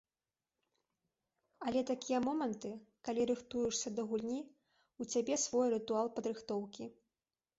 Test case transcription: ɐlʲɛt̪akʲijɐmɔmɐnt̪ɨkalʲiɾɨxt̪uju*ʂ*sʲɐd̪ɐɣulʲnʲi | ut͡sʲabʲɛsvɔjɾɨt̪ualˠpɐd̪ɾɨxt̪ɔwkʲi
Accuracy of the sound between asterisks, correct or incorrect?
correct